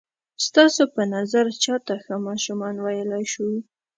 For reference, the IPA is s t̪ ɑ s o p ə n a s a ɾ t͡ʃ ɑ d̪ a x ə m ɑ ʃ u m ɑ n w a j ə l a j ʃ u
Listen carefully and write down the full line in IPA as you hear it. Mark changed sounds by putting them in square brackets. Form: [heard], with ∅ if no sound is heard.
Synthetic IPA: s t̪ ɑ s o p ə n a [z] a ɾ t͡ʃ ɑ [t̪] a x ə m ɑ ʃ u m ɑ n w a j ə l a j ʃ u